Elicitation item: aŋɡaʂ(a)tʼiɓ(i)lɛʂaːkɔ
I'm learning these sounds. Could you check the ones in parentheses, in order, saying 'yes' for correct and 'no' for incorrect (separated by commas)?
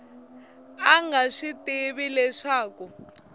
no, yes